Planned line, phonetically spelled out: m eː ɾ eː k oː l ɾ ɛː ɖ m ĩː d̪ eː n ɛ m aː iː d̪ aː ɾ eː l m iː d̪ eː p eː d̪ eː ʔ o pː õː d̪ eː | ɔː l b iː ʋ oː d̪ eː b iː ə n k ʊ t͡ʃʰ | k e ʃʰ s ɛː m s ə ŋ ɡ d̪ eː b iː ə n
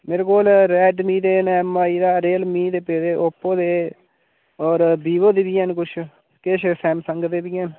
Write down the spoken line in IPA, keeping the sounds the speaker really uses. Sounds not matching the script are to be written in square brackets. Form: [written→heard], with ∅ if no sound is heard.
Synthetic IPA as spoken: m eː ɾ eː k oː l ɾ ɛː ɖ m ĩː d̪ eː n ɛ m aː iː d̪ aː ɾ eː l m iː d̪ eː p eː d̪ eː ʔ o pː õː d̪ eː | ɔː [l→ɾ] b iː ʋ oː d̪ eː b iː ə n k ʊ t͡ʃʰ | k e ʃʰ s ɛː m s ə ŋ ɡ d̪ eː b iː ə n